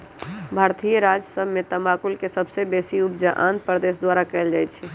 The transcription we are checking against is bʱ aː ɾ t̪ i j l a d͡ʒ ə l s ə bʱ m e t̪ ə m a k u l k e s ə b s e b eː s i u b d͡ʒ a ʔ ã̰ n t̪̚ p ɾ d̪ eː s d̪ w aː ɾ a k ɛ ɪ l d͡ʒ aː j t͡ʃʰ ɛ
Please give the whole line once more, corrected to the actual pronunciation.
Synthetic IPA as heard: bʱ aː ɾ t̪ i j ɾ a d͡ʒ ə s ə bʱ m e t̪ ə m a k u l k e s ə b s e b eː s i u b d͡ʒ a ʔ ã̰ n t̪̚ p ɾ d̪ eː s d̪ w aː ɾ a k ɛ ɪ l d͡ʒ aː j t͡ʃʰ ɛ

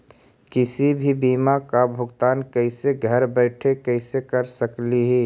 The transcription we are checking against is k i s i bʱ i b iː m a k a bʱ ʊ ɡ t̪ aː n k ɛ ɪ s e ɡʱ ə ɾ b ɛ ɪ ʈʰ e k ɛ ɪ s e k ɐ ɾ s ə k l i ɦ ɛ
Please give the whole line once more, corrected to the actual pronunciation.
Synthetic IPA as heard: k ɪ s i bʱ i b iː m a k a bʱ ʊ ɡ t̪ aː n k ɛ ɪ s e ɡʱ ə ɾ b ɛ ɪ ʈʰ e k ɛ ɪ s e k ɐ ɾ s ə k l i ɦ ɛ

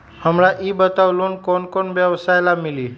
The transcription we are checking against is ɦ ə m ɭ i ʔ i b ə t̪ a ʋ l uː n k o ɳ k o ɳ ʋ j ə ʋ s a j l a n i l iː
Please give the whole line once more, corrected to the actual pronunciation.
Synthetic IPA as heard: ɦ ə m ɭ a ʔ i b ə t̪ a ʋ l uː n k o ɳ k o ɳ ʋ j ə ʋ s a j l a m i l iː

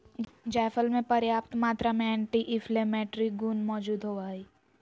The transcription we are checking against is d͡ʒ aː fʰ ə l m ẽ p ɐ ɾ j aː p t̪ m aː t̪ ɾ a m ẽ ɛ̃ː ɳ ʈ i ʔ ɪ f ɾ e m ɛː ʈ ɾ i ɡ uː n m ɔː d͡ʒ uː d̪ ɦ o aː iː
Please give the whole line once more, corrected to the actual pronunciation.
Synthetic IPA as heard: d͡ʒ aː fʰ ə l m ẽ p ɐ ɾ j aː p t̪ m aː t̪ ɾ a m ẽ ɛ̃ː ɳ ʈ i ʔ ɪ f l e m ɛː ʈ ɾ i ɡ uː n m ɔː d͡ʒ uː d̪ ɦ o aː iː

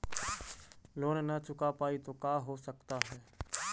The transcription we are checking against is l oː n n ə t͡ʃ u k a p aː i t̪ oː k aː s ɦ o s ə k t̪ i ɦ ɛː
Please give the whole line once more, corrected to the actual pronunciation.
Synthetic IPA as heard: l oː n n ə t͡ʃ ʊ k a p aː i t̪ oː k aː ɦ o s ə k t̪ a ɦ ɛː

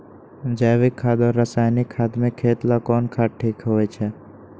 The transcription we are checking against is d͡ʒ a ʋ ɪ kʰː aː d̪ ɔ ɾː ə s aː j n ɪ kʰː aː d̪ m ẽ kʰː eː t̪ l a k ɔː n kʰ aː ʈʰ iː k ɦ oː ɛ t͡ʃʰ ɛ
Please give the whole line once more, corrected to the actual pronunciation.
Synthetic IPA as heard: d͡ʒ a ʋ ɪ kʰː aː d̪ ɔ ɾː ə s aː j n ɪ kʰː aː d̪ m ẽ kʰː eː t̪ l a k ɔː n kʰ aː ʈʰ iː k ɦ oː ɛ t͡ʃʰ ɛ

